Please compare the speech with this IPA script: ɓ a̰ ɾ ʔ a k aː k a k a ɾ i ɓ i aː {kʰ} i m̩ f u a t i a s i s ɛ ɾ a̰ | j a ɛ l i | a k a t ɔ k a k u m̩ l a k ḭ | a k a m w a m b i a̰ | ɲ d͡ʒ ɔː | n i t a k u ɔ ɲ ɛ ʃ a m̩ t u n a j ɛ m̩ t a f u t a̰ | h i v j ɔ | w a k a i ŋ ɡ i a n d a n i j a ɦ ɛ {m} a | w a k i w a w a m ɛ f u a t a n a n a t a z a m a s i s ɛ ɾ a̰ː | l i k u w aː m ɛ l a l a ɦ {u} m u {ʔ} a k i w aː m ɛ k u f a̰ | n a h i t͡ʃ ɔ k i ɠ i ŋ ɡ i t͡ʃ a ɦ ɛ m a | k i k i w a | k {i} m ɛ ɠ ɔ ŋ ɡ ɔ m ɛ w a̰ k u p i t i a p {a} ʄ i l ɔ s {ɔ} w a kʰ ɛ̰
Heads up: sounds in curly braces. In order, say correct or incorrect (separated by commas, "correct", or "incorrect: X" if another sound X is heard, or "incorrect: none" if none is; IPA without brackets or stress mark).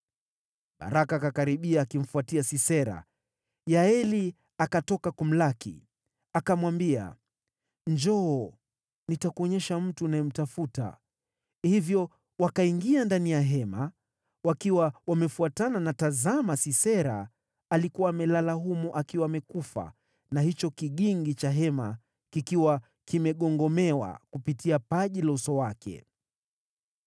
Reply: incorrect: k, correct, correct, correct, correct, correct, correct